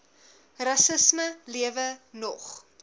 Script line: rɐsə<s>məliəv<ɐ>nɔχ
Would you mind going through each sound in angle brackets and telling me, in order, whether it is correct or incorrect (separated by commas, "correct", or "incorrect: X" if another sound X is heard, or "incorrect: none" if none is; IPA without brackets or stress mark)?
correct, incorrect: ə